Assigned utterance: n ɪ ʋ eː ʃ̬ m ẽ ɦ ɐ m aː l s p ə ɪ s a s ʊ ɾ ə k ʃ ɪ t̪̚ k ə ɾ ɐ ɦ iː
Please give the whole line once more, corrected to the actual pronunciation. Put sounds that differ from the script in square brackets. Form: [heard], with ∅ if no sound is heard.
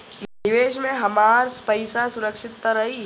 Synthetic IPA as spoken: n ɪ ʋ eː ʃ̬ m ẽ ɦ ɐ m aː [ɾ] s p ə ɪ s a s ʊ ɾ ə k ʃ ɪ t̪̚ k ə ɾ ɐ ɦ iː